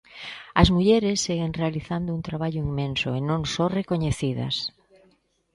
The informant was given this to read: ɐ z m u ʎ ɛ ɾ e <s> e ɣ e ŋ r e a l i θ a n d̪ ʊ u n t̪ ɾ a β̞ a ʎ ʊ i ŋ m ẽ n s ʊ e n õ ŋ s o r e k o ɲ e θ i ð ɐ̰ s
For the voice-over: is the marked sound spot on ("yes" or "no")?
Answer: no